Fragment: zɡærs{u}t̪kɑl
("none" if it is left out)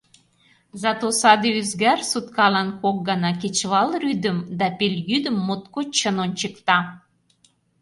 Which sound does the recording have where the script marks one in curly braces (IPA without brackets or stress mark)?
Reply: u